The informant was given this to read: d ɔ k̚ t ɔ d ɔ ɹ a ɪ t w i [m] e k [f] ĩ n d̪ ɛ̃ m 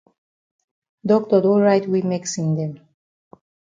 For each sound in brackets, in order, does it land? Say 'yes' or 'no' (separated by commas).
yes, no